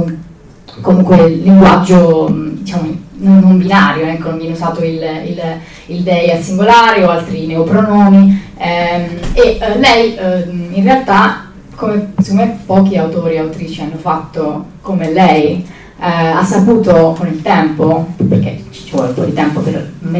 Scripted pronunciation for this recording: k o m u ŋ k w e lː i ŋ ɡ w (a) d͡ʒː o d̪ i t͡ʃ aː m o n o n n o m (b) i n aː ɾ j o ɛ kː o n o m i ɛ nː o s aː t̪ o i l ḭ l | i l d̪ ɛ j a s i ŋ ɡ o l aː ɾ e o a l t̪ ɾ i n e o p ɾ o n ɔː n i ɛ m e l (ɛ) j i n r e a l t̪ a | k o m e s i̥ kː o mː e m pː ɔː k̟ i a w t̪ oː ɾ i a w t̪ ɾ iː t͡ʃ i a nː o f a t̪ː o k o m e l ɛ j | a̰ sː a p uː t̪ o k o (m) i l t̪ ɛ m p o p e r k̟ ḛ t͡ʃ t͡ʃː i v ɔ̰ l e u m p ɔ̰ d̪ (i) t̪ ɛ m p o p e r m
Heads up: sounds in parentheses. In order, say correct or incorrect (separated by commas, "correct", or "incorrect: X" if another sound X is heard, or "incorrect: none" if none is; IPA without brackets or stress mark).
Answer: correct, correct, correct, incorrect: n, correct